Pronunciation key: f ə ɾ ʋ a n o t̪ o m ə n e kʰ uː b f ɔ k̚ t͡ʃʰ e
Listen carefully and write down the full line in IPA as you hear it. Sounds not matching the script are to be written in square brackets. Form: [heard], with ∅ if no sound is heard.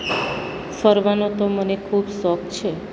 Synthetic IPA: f ə ɾ ʋ a n o t̪ o m ə n e kʰ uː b [s] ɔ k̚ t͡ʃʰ e